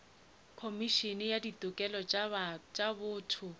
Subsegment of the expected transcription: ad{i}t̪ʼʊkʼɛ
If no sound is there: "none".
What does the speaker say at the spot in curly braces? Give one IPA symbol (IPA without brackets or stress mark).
i